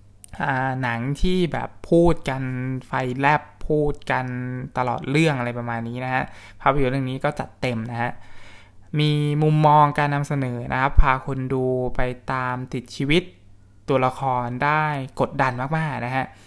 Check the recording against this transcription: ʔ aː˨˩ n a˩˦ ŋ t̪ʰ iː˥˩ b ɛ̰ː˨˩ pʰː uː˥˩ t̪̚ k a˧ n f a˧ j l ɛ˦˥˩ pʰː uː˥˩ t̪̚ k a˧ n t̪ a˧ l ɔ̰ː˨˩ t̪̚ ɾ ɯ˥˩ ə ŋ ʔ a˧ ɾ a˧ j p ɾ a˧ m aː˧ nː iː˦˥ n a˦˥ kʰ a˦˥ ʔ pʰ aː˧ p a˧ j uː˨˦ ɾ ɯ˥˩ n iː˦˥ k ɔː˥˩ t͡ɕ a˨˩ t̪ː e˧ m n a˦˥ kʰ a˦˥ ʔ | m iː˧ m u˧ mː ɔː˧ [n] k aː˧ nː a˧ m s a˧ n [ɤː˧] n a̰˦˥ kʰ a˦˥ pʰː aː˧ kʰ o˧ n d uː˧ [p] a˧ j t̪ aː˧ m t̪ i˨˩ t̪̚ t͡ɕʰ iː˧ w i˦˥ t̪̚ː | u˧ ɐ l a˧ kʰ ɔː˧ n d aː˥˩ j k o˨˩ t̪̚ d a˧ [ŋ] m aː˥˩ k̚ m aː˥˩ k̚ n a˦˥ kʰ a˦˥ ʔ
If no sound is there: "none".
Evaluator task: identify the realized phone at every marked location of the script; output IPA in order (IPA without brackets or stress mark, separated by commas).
ŋ, ɤː˩˦, p, n